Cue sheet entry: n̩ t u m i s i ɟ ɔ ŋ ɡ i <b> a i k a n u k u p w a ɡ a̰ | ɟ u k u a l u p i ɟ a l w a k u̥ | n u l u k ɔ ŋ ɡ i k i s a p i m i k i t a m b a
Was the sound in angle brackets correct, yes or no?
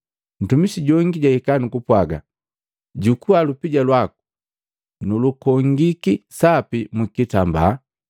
no